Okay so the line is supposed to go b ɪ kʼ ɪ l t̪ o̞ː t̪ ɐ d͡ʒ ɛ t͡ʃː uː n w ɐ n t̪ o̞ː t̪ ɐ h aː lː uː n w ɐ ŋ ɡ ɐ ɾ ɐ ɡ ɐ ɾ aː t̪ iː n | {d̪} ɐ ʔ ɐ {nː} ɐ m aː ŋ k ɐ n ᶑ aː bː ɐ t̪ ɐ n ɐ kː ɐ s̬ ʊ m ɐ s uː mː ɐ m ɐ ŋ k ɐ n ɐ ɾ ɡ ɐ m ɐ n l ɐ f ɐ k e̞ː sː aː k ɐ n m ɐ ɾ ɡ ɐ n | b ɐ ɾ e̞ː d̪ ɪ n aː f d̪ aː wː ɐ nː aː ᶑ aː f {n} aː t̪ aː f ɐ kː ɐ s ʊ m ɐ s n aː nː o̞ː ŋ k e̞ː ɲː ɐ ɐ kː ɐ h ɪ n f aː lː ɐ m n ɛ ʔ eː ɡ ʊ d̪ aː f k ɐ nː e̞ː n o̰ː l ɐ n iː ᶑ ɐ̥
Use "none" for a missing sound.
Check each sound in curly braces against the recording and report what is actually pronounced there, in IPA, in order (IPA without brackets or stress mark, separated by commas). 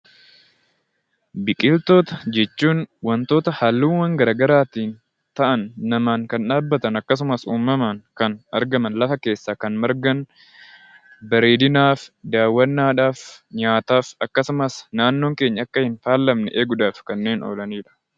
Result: t̪, nː, ɲ